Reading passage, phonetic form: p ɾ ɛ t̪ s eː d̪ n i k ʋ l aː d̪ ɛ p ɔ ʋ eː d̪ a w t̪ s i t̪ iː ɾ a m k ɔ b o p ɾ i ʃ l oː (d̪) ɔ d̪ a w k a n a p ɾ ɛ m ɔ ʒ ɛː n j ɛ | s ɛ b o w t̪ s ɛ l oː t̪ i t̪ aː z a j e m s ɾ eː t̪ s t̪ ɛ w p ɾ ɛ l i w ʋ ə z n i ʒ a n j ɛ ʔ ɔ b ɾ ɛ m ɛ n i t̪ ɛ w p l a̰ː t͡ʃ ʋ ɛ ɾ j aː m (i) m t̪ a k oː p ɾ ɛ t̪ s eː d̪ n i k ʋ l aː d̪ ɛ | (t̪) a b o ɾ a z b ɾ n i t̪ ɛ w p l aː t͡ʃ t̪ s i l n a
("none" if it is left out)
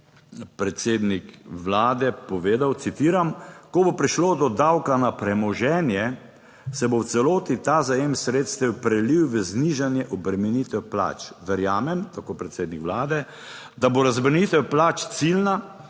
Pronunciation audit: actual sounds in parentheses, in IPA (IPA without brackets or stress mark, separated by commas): d̪, ɛ, d̪